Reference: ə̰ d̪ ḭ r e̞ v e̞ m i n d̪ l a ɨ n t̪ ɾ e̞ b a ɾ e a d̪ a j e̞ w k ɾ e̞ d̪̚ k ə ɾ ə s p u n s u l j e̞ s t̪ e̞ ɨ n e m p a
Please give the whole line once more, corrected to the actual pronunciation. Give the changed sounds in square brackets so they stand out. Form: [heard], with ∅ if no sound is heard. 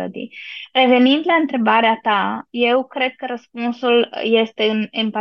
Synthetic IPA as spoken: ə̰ d̪ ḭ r e̞ v e̞ [n] i n d̪ l a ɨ n t̪ ɾ e̞ b a ɾ e a [t̪] a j e̞ w k ɾ e̞ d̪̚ k ə ɾ ə s p u n s u l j e̞ s t̪ e̞ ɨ n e m p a